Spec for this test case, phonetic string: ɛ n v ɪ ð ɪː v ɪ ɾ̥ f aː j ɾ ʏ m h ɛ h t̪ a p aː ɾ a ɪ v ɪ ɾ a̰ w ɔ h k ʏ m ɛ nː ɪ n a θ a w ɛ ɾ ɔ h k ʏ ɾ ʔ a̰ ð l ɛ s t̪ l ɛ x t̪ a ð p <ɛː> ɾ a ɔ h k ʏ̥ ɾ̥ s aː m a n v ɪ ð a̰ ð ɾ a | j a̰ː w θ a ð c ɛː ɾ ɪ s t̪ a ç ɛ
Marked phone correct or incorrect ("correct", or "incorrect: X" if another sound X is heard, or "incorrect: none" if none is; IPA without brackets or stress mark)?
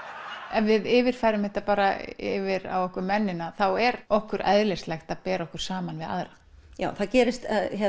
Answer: correct